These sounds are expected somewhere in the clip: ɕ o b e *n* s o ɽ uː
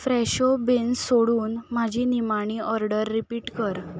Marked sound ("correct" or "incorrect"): correct